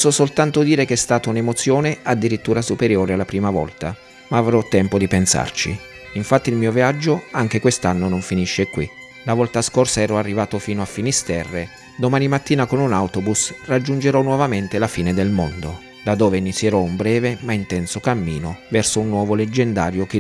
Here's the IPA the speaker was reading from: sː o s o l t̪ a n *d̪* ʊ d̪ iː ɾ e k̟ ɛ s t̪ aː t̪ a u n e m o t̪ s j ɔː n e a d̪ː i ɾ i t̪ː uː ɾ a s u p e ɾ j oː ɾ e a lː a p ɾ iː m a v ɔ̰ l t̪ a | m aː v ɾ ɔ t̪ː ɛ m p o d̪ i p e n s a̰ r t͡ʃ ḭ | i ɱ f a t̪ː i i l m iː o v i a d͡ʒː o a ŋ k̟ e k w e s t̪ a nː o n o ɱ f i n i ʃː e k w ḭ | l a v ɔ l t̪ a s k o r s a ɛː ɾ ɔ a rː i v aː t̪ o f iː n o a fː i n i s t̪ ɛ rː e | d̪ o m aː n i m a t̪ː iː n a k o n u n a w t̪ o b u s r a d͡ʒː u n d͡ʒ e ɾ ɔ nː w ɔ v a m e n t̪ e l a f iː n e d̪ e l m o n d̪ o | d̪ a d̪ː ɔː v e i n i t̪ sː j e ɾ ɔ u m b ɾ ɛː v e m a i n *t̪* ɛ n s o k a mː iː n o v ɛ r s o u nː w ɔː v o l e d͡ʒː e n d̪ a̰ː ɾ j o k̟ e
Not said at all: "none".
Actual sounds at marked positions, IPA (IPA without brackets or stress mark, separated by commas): t̪, t̪